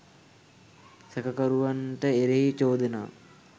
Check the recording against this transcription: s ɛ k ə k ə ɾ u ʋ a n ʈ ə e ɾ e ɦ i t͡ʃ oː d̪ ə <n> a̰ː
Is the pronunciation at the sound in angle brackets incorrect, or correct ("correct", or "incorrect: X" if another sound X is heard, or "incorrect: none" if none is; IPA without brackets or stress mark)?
correct